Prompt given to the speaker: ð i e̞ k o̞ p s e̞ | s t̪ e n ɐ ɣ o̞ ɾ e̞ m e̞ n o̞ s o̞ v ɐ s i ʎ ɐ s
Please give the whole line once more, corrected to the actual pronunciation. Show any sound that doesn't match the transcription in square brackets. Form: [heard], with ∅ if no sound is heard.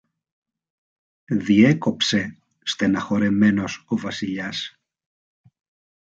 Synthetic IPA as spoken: ð i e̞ k o̞ p s e̞ | s t̪ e n ɐ [x] o̞ ɾ e̞ m e̞ n o̞ s o̞ v ɐ s i ʎ ɐ s